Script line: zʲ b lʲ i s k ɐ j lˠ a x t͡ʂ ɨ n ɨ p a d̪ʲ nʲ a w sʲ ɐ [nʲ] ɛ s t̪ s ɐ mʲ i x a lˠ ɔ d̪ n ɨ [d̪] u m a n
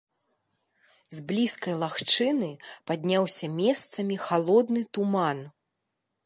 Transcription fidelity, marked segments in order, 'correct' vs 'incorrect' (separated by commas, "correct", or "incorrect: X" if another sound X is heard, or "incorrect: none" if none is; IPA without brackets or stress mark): incorrect: mʲ, incorrect: t̪